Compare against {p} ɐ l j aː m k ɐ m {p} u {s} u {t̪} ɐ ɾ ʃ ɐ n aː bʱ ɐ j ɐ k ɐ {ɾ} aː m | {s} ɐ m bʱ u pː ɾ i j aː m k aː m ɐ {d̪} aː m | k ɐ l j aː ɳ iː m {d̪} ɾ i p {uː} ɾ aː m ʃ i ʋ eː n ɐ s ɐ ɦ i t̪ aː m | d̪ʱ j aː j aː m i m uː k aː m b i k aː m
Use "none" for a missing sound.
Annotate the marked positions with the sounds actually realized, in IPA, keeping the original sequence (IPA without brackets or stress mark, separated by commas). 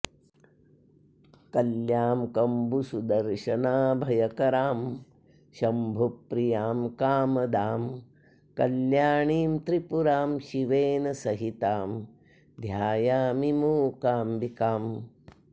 k, b, s, d̪, ɾ, ʃ, d̪, t̪, u